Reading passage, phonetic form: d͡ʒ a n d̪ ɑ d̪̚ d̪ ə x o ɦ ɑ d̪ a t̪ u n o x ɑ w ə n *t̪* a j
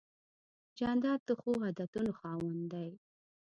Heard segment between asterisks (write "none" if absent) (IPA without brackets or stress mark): d̪